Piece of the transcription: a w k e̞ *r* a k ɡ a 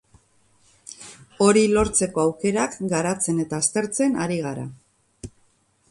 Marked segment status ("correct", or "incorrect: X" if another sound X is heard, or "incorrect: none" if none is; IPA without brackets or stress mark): incorrect: ɾ